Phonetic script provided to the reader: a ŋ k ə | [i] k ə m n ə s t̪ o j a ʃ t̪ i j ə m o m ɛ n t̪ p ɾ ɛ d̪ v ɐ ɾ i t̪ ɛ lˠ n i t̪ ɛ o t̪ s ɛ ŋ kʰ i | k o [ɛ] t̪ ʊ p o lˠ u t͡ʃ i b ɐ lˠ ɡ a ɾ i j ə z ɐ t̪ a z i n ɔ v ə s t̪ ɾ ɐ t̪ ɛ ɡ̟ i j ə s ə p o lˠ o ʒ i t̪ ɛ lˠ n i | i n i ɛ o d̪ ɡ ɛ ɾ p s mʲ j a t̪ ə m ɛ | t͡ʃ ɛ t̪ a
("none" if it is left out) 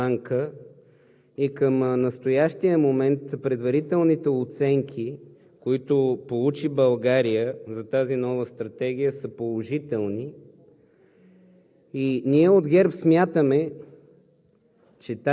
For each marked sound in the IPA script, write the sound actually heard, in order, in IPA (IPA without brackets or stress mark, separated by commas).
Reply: i, i